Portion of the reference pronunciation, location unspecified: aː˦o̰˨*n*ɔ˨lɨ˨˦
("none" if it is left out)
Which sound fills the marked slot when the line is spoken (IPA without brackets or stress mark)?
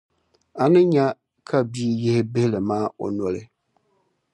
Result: n